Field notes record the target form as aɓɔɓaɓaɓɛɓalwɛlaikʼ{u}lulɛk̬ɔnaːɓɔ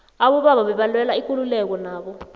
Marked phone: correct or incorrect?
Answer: correct